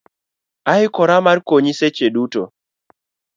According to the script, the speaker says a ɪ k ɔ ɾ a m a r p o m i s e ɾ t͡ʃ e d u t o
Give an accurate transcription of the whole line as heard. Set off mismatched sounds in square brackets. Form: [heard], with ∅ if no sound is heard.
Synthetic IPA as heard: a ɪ k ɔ ɾ a m a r [k] o [ɲ] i s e [∅] t͡ʃ e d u t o